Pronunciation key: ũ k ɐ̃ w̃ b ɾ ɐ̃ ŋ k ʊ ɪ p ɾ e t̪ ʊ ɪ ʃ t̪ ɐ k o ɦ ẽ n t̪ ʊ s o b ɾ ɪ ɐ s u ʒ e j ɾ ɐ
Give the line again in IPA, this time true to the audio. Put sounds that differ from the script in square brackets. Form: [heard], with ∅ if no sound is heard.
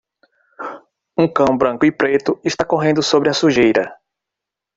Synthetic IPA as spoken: ũ k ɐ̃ w̃ b ɾ ɐ̃ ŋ k ʊ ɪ p ɾ e t̪ ʊ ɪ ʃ t̪ [a] k o ɦ ẽ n [d̪] ʊ s o b ɾ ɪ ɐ s u ʒ e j ɾ ɐ